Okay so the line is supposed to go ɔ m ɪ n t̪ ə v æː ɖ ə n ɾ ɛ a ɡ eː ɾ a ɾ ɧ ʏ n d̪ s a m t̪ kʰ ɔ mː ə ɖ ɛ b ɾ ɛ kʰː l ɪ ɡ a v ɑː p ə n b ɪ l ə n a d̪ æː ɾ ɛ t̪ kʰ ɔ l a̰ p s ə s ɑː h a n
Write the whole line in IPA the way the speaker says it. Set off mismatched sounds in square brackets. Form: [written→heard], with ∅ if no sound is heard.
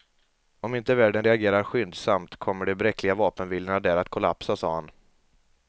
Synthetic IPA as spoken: ɔ m ɪ n t̪ ə v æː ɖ ə n ɾ ɛ a ɡ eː ɾ a ɾ ɧ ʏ n d̪ s a m t̪ kʰ ɔ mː ə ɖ ɛ b ɾ ɛ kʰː l ɪ ɡ a v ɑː p ə n [b→v] ɪ l ə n a d̪ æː ɾ [ɛ→a] t̪ kʰ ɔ l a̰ p s [ə→a] s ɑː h a n